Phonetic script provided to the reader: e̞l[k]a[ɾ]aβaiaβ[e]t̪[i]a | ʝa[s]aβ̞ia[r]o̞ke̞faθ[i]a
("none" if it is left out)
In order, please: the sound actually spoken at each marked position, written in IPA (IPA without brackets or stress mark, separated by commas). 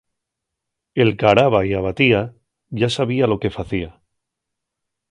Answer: k, ɾ, a, i, s, l, i